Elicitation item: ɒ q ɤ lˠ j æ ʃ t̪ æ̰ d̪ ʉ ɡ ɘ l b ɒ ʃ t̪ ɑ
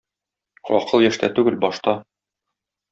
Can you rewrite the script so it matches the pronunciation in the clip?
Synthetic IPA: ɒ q ɤ lˠ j æ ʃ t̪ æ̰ t̪ ʉ ɡ ɘ l b ɒ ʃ t̪ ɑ

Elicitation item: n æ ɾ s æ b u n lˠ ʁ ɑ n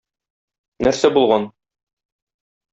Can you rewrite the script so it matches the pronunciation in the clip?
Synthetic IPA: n æ ɾ s æ b u lˠ ʁ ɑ n

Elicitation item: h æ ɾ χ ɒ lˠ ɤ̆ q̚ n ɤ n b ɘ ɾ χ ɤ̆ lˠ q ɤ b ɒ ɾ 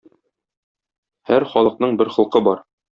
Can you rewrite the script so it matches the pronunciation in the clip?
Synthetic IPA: h æ ɾ χ ɒ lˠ ɤ̆ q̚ n ɤ ɴ b ɘ ɾ χ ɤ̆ lˠ q ɤ b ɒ ɾ

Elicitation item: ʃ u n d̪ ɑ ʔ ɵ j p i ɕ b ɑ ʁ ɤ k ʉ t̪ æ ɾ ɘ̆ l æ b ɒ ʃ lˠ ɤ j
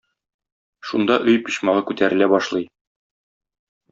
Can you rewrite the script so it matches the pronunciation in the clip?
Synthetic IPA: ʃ u n d̪ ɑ ʔ ɵ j p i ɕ m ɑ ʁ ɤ k ʉ t̪ æ ɾ ɘ̆ l æ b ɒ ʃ lˠ ɤ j

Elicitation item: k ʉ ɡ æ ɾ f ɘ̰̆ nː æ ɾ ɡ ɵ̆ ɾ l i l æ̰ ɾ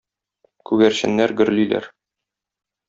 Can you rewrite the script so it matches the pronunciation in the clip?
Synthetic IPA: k ʉ ɡ æ ɾ ɕ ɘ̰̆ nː æ ɾ ɡ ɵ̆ ɾ l i l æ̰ ɾ

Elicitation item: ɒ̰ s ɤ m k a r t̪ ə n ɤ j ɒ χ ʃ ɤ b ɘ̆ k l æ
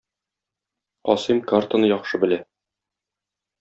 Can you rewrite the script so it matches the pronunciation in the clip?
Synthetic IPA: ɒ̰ s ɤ m k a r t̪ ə n ɤ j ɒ χ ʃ ɤ b ɘ̆ l æ

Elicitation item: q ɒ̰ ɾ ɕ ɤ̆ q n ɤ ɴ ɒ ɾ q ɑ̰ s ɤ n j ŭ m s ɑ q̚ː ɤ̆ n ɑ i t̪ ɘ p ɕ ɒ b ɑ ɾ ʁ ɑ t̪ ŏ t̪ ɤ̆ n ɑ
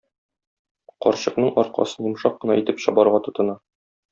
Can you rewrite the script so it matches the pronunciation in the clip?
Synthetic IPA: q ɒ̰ ɾ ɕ ɤ̆ q n ɤ ɴ ɒ ɾ q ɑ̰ s ɤ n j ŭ m ʃ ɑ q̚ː ɤ̆ n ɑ i t̪ ɘ p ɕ ɒ b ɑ ɾ ʁ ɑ t̪ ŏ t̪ ɤ̆ n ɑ

